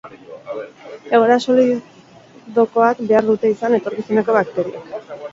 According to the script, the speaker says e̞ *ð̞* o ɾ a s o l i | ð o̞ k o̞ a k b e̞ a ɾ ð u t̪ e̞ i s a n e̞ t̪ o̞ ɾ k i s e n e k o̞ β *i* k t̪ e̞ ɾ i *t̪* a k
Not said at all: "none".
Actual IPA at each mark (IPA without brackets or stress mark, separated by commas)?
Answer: ɣ̞, a, none